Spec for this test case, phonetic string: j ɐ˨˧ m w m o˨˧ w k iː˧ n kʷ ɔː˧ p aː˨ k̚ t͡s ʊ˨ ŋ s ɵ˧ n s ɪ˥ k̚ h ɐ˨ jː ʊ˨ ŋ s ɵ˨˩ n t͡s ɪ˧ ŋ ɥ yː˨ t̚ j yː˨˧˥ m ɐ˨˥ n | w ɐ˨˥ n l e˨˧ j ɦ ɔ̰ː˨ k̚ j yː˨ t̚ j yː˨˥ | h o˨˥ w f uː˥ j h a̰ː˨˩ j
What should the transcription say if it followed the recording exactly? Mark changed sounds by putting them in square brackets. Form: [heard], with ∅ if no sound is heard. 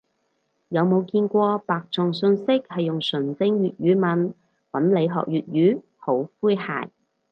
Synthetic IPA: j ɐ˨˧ [∅] w m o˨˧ w k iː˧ n kʷ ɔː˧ p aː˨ k̚ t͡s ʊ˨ ŋ s ɵ˧ n s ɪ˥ k̚ h ɐ˨ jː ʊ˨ ŋ s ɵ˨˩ n t͡s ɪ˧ ŋ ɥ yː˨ t̚ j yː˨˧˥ m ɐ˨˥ n | w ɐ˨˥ n l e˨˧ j ɦ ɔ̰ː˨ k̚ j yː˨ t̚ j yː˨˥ | h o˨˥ w f uː˥ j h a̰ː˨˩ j